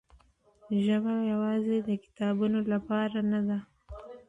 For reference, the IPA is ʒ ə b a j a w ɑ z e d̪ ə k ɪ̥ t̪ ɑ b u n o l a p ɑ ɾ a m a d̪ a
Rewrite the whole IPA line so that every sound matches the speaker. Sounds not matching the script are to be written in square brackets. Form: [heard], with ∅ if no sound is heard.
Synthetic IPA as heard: ʒ ə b a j a w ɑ z e d̪ ə k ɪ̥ t̪ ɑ b u n o l a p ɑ ɾ a [n] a d̪ a